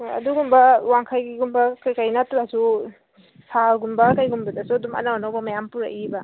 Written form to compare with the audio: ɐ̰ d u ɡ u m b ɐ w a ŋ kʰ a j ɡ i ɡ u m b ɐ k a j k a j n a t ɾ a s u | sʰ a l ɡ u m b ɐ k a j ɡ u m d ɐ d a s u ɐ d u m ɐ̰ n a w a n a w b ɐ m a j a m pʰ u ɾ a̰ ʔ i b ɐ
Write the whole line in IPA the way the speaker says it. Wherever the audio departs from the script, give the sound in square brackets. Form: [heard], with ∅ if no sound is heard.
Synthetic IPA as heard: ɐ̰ d u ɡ u m b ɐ w a ŋ kʰ a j ɡ i ɡ u m b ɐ k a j k a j n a t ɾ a s u | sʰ a l ɡ u m b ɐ k a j ɡ u m [b] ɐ d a s u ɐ d u m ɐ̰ n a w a n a w b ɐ m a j a m [p] u ɾ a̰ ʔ i b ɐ